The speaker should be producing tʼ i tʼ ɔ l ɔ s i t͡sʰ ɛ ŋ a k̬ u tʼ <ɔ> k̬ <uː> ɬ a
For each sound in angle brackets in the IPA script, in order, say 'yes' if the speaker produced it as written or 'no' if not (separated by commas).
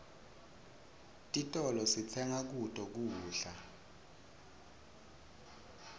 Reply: yes, yes